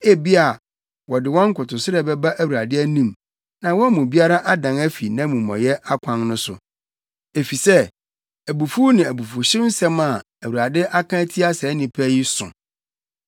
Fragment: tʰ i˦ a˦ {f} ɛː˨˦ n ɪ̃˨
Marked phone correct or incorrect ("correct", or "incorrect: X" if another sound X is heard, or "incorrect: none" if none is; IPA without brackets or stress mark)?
incorrect: s